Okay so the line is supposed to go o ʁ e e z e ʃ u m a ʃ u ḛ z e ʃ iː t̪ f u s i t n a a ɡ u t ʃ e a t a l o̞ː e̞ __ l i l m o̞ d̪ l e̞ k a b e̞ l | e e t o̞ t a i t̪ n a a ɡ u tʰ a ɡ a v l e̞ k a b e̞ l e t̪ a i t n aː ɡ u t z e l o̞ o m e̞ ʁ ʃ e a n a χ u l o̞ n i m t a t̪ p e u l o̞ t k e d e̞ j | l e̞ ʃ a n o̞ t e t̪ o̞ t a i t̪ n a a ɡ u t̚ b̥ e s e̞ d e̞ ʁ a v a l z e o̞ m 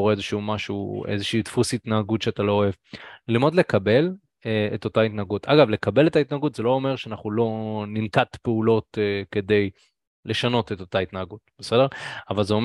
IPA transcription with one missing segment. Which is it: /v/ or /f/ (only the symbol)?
v